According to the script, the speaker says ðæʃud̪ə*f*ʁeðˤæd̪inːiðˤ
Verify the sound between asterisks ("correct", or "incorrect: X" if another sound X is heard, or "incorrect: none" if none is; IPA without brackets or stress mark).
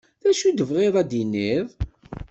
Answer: incorrect: v